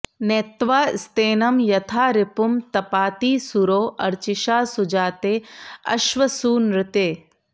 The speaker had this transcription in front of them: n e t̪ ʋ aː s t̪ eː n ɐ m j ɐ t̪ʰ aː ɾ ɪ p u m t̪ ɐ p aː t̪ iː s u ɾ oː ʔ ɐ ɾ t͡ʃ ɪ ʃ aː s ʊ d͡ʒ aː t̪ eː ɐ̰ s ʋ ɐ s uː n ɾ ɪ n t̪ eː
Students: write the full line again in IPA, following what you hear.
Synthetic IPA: n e t̪ ʋ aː s t̪ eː n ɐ m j ɐ t̪ʰ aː ɾ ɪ p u m t̪ ɐ p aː t̪ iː s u ɾ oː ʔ ɐ ɾ t͡ʃ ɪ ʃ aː s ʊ d͡ʒ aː t̪ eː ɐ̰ ʃ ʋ ɐ s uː n ɾ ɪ t̪ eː

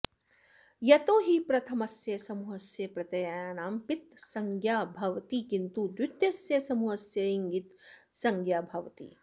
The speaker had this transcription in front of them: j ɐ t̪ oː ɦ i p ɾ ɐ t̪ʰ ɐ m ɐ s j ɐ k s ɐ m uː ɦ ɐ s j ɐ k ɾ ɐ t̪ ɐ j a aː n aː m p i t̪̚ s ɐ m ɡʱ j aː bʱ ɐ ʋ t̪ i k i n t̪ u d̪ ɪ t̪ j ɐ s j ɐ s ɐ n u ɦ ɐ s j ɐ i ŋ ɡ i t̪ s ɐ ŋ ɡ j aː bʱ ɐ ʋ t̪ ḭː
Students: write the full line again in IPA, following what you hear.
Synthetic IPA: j ɐ t̪ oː ɦ i p ɾ ɐ t̪ʰ ɐ m ɐ s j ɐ s ɐ m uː ɦ ɐ s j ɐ p ɾ ɐ t̪ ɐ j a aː n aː m p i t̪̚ s ɐ ŋ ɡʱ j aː bʱ ɐ ʋ t̪ i k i n t̪ u d̪ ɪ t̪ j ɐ s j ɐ s ɐ m u ɦ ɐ s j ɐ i ŋ ɡ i t̪ s ɐ ŋ ɡ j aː bʱ ɐ ʋ t̪ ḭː

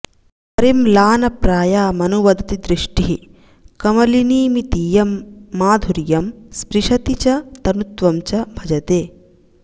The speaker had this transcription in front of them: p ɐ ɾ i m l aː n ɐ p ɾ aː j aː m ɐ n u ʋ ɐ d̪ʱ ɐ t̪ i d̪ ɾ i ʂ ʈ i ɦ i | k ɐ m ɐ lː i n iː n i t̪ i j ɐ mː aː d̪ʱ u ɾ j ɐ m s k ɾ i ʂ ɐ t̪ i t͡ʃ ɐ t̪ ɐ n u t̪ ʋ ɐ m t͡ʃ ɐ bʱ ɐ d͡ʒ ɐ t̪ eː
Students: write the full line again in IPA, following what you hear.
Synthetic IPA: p ɐ ɾ i m l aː n ɐ p ɾ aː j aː m ɐ n u ʋ ɐ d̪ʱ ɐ t̪ i d̪ ɾ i ʂ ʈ i ɦ i | k ɐ m ɐ l i n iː m i t̪ i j ɐ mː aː d̪ʱ u ɾ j ɐ m s p ɾ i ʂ ɐ t̪ i t͡ʃ ɐ t̪ ɐ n u t̪ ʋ ɐ m t͡ʃ ɐ bʱ ɐ d͡ʒ ɐ t̪ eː

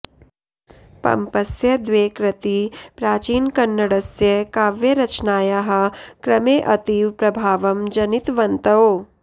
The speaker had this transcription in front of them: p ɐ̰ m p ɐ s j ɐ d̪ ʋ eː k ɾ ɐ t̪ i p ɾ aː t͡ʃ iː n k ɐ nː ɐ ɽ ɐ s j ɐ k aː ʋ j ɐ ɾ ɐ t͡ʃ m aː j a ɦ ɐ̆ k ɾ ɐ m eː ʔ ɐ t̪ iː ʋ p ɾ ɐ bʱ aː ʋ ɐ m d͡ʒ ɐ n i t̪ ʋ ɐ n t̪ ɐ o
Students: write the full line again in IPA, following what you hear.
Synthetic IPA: p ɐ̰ m p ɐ s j ɐ d̪ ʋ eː k ɾ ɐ t̪ i p ɾ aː t͡ʃ iː n k ɐ nː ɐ ɽ ɐ s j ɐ k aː ʋ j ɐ ɾ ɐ t͡ʃ n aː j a ɦ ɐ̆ k ɾ ɐ m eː ʔ ɐ t̪ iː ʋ p ɾ ɐ bʱ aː ʋ ɐ m d͡ʒ ɐ n i t̪ ʋ ɐ n t̪ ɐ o

